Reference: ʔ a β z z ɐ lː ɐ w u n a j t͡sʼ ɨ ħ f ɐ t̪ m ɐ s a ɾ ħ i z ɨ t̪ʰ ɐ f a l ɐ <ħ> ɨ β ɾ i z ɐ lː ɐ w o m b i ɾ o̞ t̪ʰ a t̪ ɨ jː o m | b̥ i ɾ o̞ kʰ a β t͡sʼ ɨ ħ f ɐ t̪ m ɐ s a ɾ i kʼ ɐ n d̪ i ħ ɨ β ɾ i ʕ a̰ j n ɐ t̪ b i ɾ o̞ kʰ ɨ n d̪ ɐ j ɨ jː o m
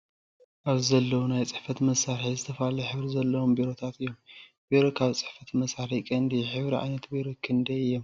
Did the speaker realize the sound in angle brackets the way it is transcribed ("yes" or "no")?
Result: yes